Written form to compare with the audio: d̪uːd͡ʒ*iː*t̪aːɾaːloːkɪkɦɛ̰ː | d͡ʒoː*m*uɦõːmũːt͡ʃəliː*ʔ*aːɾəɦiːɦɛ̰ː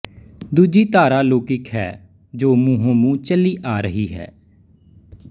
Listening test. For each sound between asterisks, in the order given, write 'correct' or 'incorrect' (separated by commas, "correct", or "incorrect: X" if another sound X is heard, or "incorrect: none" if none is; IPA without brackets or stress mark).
correct, correct, correct